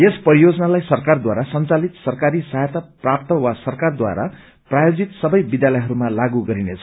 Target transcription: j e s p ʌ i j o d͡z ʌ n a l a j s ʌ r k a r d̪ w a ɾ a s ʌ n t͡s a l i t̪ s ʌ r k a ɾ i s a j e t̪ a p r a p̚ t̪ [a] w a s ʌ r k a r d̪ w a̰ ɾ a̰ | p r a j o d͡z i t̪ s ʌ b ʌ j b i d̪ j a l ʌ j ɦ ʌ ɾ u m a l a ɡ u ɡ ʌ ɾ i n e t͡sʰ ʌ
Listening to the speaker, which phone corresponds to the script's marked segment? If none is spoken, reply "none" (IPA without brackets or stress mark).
ʌ